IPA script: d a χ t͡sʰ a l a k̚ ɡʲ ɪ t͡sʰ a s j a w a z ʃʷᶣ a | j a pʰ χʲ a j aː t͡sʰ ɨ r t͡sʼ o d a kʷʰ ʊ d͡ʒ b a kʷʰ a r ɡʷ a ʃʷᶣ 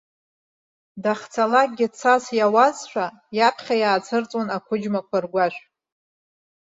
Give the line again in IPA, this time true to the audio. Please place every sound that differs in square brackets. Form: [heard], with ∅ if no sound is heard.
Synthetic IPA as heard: d a χ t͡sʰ a l a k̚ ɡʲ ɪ t͡sʰ a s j a w a z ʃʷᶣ a | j a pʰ χʲ a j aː t͡sʰ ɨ r t͡sʼ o [n] a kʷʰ ʊ d͡ʒ [m] a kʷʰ a r ɡʷ a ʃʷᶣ